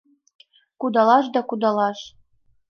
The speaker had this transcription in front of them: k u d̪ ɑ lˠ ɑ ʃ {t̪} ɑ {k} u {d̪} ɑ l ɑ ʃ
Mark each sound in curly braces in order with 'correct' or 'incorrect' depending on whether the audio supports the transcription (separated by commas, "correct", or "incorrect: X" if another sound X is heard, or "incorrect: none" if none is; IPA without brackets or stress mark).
incorrect: d̪, correct, correct